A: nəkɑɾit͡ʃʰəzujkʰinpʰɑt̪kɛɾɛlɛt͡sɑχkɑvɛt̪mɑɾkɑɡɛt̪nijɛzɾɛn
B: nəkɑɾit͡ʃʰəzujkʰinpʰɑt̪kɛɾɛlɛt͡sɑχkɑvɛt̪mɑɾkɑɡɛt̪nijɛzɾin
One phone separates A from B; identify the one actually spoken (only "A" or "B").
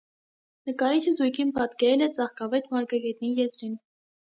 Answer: B